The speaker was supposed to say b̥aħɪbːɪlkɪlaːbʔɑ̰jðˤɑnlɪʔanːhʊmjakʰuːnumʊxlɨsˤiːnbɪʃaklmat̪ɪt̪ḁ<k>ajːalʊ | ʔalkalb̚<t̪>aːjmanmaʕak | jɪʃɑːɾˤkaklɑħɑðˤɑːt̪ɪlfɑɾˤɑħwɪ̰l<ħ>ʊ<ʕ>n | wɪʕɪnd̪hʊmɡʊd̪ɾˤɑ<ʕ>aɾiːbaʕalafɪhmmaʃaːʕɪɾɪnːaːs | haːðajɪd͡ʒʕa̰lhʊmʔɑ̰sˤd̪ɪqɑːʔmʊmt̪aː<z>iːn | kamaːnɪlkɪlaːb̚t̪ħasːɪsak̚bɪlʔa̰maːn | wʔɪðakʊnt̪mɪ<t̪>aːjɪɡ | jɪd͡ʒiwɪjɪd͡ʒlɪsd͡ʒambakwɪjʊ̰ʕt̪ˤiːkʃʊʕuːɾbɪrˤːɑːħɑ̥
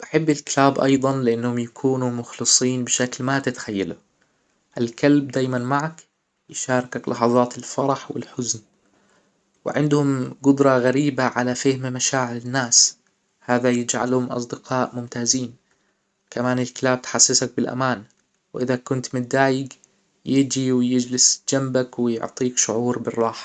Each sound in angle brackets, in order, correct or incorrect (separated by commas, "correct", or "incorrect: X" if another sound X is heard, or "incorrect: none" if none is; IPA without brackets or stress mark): incorrect: x, incorrect: d̪, correct, incorrect: z, incorrect: ɣ, correct, incorrect: d̪